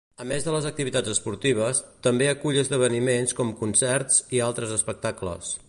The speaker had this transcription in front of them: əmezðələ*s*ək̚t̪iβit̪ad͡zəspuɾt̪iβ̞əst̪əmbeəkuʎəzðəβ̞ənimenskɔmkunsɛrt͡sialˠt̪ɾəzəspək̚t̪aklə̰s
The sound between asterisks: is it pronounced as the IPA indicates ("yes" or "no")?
no